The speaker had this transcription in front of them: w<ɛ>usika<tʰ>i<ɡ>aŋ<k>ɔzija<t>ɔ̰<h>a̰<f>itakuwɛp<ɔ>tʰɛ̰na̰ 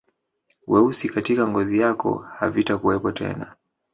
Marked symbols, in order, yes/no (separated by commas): yes, no, no, no, no, yes, no, yes